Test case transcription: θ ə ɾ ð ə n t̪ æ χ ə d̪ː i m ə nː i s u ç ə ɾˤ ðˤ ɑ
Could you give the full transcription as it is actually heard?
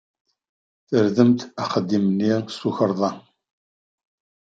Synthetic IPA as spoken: θ ə ɾ ð ə m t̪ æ χ ə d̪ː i m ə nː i s u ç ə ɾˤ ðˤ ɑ